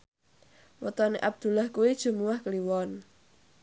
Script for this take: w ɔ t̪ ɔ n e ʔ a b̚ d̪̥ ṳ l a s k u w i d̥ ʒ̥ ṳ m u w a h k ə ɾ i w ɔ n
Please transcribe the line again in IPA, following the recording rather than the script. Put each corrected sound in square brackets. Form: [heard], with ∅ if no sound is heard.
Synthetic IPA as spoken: w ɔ t̪ ɔ n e ʔ a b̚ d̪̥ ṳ l a [h] k u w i d̥ ʒ̥ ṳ m u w a h k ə [l] i w ɔ n